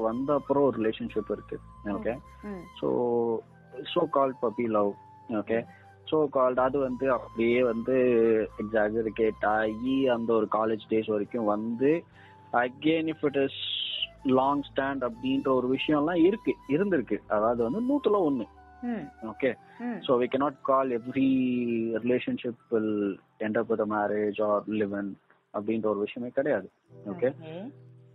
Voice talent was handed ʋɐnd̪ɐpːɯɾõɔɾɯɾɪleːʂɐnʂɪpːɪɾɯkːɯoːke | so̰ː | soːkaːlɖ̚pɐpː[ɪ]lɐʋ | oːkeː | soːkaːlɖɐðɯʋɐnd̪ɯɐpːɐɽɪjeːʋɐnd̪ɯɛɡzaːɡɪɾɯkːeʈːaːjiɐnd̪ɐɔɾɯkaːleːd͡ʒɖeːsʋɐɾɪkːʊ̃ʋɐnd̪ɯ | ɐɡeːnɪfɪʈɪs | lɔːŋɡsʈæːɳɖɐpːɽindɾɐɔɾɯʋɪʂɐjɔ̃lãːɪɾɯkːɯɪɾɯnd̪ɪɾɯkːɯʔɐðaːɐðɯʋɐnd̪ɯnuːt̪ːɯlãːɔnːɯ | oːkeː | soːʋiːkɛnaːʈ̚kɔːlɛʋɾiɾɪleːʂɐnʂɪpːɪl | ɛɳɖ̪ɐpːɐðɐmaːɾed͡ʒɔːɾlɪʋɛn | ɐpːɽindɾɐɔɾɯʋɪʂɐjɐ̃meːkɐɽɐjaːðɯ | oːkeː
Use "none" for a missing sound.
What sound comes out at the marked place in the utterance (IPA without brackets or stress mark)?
i